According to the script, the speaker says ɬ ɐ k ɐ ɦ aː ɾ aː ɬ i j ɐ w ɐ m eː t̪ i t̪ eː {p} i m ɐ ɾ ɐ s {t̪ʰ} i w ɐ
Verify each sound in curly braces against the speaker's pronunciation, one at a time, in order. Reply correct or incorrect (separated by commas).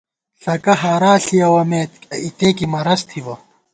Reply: incorrect, correct